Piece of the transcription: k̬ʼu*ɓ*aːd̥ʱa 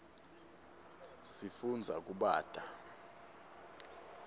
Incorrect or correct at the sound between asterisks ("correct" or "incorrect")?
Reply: correct